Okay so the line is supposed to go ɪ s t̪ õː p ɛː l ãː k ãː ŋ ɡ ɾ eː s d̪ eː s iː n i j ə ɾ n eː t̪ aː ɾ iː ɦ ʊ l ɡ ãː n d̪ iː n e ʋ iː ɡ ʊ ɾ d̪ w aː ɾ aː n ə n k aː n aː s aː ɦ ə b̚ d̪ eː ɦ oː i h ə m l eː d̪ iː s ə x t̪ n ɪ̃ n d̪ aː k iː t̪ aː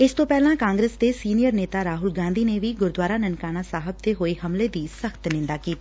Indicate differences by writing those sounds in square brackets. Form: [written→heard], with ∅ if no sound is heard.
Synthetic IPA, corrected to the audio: ɪ s t̪ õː p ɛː l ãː k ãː ŋ ɡ ɾ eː s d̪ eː s iː n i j ə ɾ n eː t̪ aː ɾ [iː→aː] ɦ ʊ l ɡ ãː n d̪ iː n e ʋ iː ɡ ʊ ɾ d̪ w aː ɾ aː n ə n k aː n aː s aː ɦ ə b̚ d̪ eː ɦ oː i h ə m l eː d̪ iː s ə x t̪ n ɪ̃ n d̪ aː k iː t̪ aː